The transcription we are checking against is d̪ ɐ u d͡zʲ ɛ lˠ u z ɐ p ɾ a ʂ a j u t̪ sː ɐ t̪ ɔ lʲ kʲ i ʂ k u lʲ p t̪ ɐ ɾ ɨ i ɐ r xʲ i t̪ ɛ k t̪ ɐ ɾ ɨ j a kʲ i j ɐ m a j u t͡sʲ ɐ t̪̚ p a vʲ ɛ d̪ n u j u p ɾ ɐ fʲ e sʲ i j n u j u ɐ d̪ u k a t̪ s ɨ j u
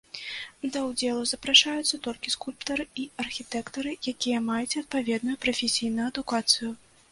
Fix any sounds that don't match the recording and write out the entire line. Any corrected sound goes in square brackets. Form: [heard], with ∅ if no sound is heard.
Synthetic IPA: d̪ ɐ [w] d͡zʲ ɛ lˠ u z ɐ p ɾ a ʂ a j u t̪ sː ɐ t̪ ɔ lʲ kʲ i [s] k u lʲ p t̪ ɐ ɾ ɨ i ɐ r xʲ i t̪ ɛ k t̪ ɐ ɾ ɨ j a kʲ i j ɐ m a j u t͡sʲ ɐ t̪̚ p a vʲ ɛ d̪ n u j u p ɾ ɐ fʲ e sʲ i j n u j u ɐ d̪ u k a t̪ s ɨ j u